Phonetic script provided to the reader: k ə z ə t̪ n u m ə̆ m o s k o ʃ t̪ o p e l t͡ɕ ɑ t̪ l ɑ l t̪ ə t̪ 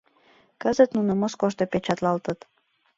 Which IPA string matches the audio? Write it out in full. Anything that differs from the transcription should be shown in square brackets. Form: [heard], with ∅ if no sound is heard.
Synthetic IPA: k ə z ə t̪ n u [n] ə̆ m o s k o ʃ t̪ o p e [∅] t͡ɕ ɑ t̪ l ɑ l t̪ ə t̪